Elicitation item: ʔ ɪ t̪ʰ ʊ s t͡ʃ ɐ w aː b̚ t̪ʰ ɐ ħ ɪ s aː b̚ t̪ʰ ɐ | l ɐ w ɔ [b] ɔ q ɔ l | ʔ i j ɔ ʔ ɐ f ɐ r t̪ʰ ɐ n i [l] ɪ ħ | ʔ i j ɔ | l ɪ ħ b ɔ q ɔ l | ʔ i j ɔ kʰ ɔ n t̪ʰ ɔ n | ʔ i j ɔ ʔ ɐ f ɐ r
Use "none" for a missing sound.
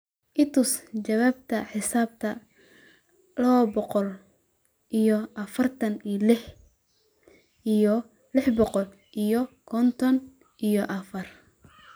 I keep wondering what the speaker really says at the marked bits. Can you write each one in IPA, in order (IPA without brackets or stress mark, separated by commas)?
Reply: b, l